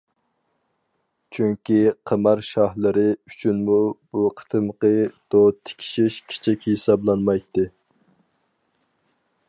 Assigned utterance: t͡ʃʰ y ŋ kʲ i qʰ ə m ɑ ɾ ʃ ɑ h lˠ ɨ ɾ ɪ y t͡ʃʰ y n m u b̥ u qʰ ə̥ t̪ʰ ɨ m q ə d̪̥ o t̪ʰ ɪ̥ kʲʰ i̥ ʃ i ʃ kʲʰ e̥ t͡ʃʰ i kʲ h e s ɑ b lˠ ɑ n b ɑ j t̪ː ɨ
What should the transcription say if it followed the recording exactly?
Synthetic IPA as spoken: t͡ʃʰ y ŋ kʲ i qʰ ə m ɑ ɾ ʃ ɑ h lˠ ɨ ɾ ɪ y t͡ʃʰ y n m u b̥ u qʰ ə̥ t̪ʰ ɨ m q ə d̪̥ o t̪ʰ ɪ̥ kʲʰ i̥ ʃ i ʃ kʲʰ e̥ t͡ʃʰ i kʲ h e s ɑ b lˠ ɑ n m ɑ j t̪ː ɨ

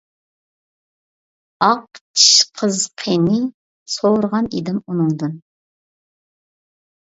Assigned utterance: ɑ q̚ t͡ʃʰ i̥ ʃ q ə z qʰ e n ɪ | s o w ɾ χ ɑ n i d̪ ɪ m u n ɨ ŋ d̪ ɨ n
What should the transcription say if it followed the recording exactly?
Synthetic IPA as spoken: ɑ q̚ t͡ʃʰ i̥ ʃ qʰ ə z qʰ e n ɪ | s o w ɾ ʁ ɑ n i d̪ ɪ m u n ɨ ŋ d̪ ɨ n

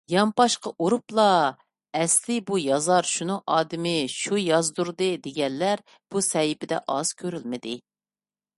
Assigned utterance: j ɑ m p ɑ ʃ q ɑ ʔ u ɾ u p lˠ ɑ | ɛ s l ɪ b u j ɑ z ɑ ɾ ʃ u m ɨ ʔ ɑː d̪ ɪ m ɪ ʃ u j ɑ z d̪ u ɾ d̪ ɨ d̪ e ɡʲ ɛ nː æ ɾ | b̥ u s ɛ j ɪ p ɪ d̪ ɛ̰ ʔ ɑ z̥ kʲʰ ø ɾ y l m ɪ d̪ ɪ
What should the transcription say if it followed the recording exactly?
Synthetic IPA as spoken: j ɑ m p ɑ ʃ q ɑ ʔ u ɾ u p lˠ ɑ | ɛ s l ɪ b u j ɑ z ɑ ɾ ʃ u n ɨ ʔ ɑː d̪ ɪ m ɪ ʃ u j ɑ z d̪ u ɾ d̪ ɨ d̪ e ɡʲ ɛ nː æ ɾ | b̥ u s ɛ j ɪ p ɪ d̪ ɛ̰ ʔ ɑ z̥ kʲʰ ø ɾ y l m ɪ d̪ ɪ

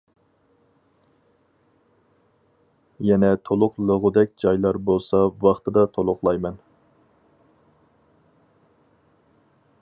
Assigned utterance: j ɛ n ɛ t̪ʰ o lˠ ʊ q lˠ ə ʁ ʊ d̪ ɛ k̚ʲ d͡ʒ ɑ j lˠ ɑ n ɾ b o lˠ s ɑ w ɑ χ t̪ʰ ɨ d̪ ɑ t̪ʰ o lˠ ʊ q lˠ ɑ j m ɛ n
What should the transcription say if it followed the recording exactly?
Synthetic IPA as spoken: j ɛ n ɛ t̪ʰ o lˠ ʊ q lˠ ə ʁ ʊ d̪ ɛ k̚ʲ d͡ʒ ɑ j lˠ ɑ ɾ b o lˠ s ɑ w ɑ χ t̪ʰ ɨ d̪ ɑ t̪ʰ o lˠ ʊ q lˠ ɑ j m ɛ n

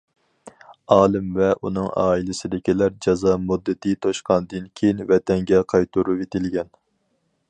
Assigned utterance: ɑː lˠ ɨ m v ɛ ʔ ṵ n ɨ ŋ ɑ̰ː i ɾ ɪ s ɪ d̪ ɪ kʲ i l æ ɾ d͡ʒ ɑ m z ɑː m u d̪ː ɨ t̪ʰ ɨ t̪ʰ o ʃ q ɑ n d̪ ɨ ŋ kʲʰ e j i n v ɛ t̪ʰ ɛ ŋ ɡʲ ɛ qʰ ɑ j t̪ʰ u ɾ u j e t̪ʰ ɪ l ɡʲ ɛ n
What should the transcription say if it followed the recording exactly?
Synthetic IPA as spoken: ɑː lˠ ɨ m v ɛ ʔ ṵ n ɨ ŋ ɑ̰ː i l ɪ s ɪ d̪ ɪ kʲ i l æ ɾ d͡ʒ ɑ z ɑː m u d̪ː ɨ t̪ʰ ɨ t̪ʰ o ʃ q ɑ n d̪ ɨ n kʲʰ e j i n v ɛ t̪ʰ ɛ ŋ ɡʲ ɛ qʰ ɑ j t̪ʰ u ɾ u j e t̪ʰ ɪ l ɡʲ ɛ n

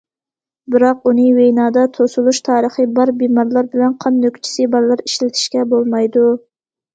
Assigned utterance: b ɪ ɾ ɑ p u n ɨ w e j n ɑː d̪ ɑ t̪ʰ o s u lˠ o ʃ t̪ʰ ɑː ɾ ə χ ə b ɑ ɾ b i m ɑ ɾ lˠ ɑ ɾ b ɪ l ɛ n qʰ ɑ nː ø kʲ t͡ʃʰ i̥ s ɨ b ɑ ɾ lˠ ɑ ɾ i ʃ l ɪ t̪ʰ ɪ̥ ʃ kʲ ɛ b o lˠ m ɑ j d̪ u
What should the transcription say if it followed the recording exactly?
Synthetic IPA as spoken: b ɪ ɾ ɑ q u n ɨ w e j n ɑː d̪ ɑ t̪ʰ o s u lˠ u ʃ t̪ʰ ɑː ɾ ə χ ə b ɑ ɾ b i m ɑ ɾ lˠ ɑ ɾ b ɪ l ɛ n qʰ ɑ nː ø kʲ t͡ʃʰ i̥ s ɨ b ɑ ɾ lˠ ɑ ɾ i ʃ l ɪ t̪ʰ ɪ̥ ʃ kʲ ɛ b o lˠ m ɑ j d̪ u

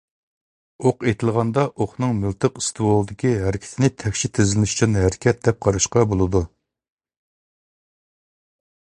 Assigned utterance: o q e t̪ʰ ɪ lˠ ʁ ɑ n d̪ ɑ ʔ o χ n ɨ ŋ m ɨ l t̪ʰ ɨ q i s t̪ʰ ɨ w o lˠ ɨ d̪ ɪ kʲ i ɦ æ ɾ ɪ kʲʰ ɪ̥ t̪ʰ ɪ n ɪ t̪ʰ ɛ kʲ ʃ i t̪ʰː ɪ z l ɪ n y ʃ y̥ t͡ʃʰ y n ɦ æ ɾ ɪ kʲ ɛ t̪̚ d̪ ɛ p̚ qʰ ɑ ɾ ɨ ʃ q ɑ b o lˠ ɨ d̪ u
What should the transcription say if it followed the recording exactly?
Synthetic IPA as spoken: o q e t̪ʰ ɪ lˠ ʁ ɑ n d̪ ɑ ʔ o χ n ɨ ŋ m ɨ l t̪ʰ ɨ q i s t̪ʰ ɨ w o lˠ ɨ d̪ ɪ kʲ i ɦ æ ɾ ɪ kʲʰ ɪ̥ t̪ʰ ɪ n ɪ t̪ʰ ɛ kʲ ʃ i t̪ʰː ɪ z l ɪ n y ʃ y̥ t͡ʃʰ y n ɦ æ ɾ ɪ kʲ ɛ t̪̚ d̪ ɛ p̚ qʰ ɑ ɾ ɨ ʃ q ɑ b o lˠ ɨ d̪ u

